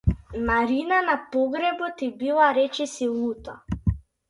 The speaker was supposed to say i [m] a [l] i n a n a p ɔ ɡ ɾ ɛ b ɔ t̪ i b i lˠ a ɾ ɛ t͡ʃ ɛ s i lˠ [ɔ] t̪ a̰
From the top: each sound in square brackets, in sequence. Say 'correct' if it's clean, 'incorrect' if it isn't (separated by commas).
correct, incorrect, incorrect